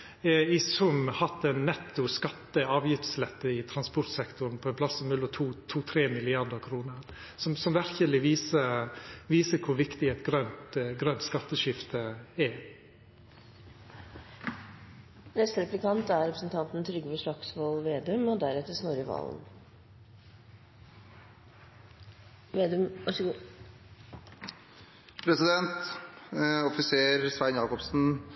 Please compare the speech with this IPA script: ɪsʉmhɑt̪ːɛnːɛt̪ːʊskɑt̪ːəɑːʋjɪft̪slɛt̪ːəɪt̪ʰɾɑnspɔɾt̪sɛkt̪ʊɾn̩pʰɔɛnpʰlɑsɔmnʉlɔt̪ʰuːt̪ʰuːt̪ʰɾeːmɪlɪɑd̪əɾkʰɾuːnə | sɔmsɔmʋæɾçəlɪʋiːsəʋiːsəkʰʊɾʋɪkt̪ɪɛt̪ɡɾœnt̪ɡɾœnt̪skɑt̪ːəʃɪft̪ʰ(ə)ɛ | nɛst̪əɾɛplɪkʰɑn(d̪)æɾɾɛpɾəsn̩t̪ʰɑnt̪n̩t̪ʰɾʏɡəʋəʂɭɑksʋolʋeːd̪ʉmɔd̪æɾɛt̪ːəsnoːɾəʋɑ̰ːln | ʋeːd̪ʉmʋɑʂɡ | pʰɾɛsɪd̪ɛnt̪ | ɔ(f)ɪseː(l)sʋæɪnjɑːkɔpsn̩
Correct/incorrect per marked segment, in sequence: correct, incorrect, correct, incorrect

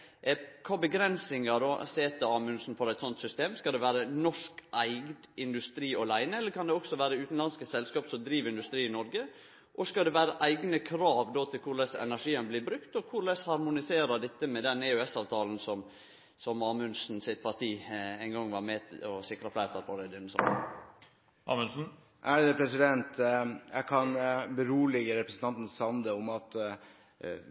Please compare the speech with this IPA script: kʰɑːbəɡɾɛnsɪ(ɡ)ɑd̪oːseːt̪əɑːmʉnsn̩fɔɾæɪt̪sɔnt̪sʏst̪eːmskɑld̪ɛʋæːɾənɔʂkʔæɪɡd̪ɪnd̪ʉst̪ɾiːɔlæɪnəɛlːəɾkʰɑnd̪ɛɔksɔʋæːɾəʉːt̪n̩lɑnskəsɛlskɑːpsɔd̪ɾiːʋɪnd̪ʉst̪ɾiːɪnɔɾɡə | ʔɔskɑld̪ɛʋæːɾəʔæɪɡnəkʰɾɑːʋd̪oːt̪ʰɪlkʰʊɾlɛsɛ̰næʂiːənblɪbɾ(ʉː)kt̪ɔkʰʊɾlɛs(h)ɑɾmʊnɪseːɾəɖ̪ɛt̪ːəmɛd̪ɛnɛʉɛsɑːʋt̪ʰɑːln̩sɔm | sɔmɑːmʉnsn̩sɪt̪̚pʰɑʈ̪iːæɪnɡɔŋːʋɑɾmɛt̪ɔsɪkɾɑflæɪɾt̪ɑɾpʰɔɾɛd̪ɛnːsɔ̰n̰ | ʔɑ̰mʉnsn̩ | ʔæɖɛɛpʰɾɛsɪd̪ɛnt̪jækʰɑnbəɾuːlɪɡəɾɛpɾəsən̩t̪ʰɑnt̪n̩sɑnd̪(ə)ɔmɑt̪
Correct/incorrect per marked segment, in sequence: incorrect, incorrect, correct, correct

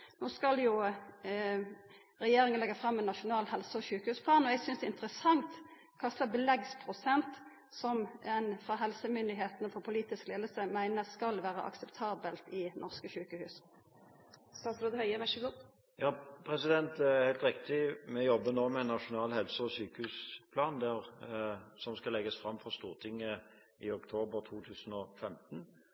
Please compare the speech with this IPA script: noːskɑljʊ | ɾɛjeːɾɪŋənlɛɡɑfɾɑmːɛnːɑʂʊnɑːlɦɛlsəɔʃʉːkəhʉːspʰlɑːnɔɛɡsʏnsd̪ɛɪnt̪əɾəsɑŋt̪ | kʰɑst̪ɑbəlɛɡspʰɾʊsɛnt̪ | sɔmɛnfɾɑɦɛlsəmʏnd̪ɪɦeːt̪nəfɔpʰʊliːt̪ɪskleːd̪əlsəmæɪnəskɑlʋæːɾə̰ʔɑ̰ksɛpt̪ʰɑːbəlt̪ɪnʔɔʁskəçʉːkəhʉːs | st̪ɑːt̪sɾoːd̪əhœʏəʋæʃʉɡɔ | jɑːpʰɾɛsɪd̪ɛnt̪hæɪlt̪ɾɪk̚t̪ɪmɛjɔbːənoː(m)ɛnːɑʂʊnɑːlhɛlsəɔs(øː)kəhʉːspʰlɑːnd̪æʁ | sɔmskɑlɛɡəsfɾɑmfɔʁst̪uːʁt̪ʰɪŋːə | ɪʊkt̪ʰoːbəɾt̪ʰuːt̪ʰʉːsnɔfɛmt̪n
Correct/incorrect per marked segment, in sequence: correct, incorrect

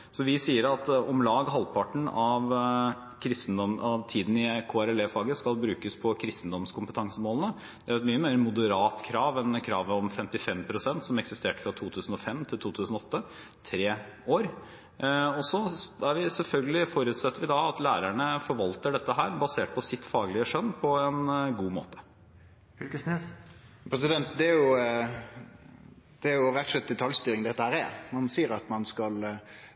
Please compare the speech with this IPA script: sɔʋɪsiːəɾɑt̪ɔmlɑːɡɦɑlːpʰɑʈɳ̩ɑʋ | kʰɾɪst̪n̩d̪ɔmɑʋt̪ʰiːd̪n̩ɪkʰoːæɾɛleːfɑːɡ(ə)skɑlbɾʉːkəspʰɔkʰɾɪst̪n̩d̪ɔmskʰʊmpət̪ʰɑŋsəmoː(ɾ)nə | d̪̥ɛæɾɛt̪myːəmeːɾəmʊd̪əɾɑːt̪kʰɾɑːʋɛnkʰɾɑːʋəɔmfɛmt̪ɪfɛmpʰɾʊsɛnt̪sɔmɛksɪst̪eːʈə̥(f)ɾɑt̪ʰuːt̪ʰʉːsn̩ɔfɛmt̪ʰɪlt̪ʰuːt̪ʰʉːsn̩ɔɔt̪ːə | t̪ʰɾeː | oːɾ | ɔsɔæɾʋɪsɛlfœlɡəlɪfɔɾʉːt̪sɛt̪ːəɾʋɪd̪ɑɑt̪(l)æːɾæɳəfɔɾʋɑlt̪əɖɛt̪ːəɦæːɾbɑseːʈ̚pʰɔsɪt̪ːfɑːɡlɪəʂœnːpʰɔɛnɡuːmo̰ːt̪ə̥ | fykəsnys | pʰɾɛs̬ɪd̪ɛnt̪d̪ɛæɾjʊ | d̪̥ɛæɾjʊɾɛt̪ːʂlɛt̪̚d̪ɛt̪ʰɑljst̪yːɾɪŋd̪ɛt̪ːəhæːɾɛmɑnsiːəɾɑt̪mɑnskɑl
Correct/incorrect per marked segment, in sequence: correct, incorrect, correct, correct

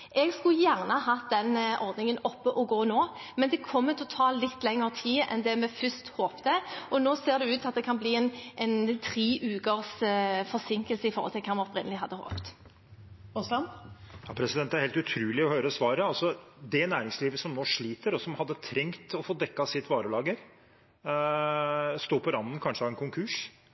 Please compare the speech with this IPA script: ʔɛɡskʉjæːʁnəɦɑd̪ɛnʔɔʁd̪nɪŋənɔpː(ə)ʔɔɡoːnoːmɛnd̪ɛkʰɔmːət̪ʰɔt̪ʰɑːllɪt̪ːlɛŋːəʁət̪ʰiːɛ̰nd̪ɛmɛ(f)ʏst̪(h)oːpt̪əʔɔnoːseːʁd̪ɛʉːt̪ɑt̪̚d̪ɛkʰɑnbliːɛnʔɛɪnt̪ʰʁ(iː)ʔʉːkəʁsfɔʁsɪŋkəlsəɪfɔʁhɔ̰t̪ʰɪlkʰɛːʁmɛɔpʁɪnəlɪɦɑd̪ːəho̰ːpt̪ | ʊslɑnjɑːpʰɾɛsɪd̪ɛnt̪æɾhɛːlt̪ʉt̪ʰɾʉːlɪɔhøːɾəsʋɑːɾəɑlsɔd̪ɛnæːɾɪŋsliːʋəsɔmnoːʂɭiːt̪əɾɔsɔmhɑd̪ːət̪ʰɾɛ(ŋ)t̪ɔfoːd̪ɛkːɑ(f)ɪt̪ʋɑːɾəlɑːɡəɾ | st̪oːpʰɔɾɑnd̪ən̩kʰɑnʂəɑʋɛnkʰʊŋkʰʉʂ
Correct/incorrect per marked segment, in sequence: correct, correct, correct, correct, correct, incorrect

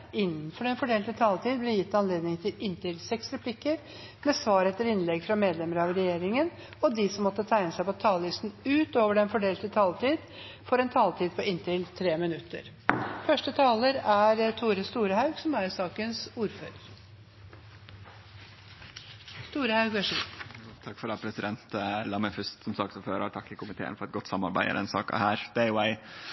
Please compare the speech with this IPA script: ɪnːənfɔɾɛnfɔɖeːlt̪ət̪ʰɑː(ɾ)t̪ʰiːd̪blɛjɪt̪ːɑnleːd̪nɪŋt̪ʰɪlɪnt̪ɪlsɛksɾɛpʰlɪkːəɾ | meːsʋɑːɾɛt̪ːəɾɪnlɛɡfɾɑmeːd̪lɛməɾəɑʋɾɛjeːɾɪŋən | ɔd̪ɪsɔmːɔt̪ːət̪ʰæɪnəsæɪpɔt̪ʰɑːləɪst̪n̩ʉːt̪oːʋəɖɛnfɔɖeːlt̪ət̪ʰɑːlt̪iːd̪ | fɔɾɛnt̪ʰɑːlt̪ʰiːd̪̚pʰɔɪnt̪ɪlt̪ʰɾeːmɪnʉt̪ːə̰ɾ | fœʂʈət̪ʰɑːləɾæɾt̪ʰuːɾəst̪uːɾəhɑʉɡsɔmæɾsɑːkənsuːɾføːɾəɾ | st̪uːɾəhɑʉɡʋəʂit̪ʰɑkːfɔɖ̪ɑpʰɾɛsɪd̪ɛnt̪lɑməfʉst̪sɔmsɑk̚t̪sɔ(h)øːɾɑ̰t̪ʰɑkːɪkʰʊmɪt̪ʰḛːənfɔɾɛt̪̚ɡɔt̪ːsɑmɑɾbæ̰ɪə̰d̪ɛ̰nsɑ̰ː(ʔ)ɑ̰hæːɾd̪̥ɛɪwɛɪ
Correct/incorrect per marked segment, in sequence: incorrect, incorrect, incorrect

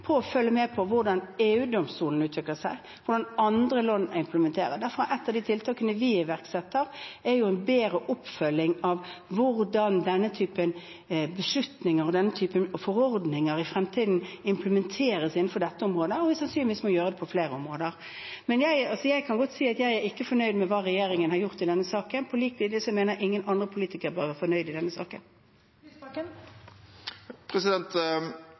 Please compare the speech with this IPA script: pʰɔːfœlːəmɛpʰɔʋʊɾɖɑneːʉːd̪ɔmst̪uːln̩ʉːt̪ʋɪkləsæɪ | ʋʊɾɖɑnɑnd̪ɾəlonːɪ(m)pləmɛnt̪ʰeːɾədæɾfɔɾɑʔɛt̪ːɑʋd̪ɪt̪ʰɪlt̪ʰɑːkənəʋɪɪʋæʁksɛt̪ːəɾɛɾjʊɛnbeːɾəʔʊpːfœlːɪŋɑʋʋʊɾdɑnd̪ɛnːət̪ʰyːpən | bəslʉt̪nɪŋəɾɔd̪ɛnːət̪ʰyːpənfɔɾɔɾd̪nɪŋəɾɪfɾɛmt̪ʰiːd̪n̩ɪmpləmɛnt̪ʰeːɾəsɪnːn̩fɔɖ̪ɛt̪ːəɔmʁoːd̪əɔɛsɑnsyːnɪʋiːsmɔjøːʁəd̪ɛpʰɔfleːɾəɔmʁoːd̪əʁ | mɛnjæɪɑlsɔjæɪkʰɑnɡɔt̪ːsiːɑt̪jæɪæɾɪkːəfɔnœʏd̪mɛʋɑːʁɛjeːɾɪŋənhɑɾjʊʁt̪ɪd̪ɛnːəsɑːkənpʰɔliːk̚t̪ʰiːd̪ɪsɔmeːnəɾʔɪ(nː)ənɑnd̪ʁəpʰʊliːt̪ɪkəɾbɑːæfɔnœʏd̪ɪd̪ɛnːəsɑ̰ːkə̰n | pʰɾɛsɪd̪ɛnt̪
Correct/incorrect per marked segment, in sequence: correct, incorrect

